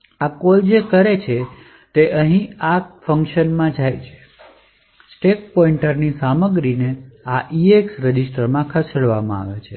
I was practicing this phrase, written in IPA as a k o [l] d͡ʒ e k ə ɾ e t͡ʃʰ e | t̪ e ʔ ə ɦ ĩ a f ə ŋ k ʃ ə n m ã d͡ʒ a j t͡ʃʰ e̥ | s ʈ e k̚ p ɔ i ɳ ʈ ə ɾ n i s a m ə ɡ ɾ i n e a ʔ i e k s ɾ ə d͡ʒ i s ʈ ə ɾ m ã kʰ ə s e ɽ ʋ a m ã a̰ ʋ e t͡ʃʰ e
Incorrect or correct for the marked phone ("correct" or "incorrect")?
correct